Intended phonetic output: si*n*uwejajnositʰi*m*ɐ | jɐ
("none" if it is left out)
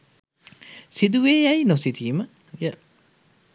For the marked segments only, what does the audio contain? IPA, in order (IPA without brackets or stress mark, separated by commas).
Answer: d, m